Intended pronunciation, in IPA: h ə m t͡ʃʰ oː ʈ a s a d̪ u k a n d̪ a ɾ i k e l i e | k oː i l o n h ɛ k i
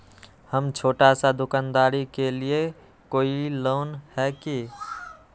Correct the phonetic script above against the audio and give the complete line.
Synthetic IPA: h ə m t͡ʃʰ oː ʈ a s a d̪ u k a n d̪ a ɾ i k e l i e | k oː i l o n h ɛ k i